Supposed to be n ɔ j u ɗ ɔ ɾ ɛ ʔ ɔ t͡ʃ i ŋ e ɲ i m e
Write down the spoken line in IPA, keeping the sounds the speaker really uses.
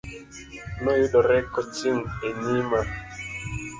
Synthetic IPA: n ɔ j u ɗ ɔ ɾ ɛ k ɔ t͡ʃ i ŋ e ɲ i m a